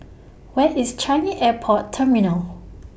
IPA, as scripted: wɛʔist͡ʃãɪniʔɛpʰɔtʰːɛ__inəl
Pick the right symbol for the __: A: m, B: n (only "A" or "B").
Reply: A